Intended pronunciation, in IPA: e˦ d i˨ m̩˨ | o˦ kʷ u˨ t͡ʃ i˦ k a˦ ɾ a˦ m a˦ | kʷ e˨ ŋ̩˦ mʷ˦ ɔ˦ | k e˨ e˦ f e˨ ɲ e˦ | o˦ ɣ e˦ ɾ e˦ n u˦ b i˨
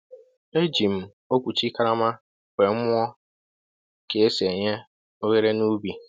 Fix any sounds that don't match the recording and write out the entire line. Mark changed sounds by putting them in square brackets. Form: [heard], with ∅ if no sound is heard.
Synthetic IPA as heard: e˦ [d͡ʒ] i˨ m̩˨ | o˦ kʷ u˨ t͡ʃ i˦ k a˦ ɾ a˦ m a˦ | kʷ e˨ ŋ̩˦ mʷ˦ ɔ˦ | k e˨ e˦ [s] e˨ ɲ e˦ | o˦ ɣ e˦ ɾ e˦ n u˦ b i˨

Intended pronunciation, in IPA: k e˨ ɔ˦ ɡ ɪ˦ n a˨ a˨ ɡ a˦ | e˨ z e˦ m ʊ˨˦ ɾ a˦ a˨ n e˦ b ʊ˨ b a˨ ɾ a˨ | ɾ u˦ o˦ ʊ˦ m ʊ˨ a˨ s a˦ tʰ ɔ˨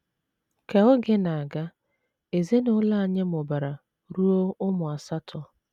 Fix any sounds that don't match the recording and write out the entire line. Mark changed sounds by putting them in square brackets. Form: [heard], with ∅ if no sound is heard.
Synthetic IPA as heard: k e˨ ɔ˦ ɡ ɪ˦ n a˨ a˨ ɡ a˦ | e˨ z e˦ [n] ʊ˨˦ [l] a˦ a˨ [ɲ] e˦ [m] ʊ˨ b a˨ ɾ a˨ | ɾ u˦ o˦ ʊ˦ m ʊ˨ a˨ s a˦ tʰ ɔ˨

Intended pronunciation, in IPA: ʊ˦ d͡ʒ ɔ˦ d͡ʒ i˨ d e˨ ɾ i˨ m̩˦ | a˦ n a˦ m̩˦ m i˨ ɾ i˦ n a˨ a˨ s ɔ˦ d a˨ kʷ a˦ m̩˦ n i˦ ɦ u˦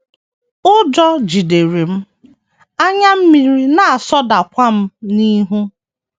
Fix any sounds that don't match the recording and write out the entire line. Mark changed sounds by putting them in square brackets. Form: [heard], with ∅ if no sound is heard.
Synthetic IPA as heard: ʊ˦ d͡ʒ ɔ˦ d͡ʒ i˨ d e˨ ɾ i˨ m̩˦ | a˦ [ɲ] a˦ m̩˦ m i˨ ɾ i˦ n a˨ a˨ s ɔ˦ d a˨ kʷ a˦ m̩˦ n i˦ ɦ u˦

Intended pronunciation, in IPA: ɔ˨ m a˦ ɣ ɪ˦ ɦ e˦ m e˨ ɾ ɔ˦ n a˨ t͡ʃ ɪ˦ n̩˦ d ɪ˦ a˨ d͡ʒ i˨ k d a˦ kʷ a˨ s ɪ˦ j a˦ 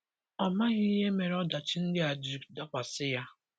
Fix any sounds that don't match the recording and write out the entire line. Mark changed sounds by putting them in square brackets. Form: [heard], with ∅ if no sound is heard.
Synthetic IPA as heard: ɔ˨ m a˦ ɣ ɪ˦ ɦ e˦ m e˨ ɾ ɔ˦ [d] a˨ t͡ʃ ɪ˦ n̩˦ d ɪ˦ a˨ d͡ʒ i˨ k d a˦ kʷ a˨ s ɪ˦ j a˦

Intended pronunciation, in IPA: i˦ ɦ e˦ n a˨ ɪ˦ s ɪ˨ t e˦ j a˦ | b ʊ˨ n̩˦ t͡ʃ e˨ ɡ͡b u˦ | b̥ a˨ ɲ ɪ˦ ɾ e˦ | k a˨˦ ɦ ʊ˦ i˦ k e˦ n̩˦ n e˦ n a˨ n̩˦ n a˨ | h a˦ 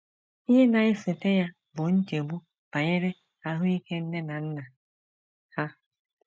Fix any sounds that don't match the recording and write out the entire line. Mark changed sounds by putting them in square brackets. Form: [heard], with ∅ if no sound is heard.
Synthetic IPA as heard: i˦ ɦ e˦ n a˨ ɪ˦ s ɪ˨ t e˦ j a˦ | b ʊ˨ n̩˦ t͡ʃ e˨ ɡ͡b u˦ | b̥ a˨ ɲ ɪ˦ ɾ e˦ | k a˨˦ ɦ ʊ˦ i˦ k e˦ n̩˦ n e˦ n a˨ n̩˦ n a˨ | h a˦

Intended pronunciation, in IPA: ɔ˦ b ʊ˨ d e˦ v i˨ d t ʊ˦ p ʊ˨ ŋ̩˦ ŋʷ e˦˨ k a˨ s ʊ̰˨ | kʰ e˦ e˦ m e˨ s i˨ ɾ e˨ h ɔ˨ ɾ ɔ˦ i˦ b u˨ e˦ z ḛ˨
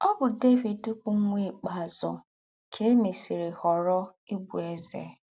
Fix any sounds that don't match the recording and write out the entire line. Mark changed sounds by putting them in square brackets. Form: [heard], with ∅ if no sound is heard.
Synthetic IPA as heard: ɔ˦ b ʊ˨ d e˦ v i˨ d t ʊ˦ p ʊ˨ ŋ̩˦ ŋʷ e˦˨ [k͡p] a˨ [z] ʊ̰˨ | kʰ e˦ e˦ m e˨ s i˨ ɾ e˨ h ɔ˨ ɾ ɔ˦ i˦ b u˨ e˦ z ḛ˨

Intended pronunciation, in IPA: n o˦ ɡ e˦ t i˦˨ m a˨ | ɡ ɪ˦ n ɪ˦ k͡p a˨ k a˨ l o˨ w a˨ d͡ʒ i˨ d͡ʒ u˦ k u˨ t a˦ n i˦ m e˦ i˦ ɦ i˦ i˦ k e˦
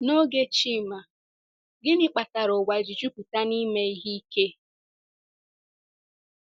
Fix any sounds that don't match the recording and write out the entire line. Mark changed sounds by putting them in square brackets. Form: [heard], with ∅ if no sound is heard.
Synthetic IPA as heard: n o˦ ɡ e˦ [t͡ʃ] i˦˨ m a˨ | ɡ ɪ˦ n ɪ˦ k͡p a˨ [t] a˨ [ɾ] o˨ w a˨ d͡ʒ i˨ d͡ʒ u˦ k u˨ t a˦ n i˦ m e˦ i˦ ɦ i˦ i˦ k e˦

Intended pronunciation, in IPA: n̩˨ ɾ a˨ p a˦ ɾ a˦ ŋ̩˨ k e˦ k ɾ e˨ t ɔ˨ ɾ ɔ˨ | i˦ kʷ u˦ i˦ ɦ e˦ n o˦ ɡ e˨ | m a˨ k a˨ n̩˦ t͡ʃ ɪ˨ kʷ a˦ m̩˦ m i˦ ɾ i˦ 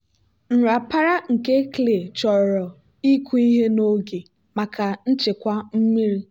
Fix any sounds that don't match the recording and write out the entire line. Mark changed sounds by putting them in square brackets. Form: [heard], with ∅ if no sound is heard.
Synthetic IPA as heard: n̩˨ ɾ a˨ p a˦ ɾ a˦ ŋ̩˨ k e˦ k [l] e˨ [t͡ʃ] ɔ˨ ɾ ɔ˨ | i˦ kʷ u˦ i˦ ɦ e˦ n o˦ ɡ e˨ | m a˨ k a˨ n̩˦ t͡ʃ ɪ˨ kʷ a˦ m̩˦ m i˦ ɾ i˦

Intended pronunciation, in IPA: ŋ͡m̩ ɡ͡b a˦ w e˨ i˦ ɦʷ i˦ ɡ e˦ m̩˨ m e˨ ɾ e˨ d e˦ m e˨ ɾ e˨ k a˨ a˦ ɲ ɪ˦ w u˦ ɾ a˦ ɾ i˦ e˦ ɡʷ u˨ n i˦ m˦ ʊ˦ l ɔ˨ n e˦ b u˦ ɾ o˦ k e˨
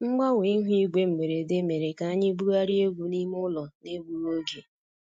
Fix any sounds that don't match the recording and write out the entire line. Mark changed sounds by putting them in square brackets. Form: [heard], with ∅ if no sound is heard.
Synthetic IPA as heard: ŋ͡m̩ ɡ͡b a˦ w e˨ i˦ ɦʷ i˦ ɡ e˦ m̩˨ m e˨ ɾ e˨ d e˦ m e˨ ɾ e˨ k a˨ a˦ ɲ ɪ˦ [b] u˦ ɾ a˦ ɾ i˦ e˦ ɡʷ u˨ n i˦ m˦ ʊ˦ l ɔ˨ n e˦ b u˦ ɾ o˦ [ɡ] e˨

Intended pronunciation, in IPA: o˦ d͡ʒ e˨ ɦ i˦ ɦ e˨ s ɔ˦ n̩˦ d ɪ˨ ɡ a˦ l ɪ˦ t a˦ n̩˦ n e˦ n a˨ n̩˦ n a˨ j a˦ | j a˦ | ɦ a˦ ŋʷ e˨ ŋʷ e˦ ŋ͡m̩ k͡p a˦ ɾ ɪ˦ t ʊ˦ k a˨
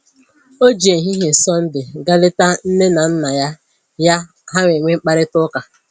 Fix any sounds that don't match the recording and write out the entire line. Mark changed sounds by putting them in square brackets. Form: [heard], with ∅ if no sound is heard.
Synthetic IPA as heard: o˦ d͡ʒ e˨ ɦ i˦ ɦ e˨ s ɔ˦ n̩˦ d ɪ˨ ɡ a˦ l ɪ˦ t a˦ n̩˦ n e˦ n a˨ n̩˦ n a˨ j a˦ | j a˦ | ɦ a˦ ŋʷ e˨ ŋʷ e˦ ŋ͡m̩ k͡p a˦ ɾ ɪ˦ t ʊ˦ k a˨

